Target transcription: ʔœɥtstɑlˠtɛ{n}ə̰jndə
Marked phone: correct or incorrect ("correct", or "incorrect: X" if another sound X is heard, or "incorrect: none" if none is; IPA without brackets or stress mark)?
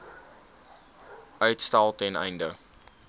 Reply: correct